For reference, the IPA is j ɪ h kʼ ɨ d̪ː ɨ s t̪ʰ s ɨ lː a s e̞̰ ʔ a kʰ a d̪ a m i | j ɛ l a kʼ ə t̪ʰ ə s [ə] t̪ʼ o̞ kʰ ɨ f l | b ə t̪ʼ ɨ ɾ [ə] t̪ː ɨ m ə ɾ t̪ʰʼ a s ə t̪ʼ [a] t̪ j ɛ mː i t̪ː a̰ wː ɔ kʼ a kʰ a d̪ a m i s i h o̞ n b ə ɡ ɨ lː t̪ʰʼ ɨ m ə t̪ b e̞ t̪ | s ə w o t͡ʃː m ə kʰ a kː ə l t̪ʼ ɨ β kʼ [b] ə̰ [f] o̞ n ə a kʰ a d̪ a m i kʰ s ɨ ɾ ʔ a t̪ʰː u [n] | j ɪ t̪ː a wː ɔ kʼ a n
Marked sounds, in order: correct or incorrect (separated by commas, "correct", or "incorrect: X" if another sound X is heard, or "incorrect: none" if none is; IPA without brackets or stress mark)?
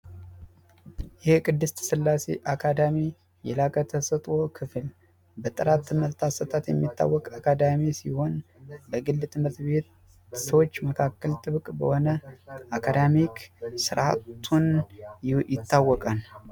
correct, incorrect: a, correct, correct, incorrect: h, correct